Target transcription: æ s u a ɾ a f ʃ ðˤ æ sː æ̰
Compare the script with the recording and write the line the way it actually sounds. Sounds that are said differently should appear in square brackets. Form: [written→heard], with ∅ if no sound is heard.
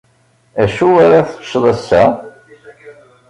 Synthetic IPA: æ [s→ʃ] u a ɾ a [f→θ] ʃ ðˤ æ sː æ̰